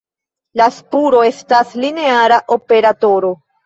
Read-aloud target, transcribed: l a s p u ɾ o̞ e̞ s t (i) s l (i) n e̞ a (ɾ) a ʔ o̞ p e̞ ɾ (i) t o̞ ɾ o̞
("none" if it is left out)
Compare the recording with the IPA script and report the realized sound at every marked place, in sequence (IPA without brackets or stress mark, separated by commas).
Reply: a, i, ɾ, a